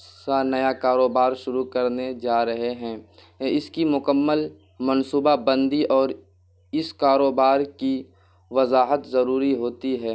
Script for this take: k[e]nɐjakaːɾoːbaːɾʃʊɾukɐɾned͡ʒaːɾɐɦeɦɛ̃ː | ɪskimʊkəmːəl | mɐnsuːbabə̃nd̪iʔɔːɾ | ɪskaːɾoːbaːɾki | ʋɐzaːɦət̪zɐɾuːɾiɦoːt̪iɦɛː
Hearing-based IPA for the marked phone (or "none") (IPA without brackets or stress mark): a